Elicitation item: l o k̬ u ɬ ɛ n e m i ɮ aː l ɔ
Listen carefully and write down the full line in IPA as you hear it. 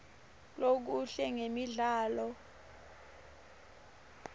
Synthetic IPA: l o k̬ u ɬ ɛ ŋ e m i ɮ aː l ɔ